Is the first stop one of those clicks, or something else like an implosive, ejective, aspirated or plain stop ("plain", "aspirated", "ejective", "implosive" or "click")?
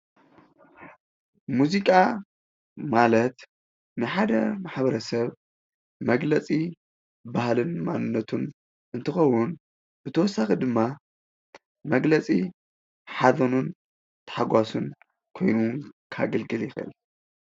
ejective